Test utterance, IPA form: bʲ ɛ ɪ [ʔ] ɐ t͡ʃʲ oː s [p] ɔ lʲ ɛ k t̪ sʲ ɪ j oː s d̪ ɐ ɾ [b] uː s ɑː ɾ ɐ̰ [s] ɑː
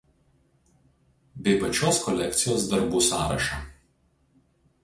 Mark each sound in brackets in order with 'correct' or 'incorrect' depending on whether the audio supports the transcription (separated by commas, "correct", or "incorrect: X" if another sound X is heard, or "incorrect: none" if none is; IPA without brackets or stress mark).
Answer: incorrect: p, incorrect: k, correct, incorrect: ʃ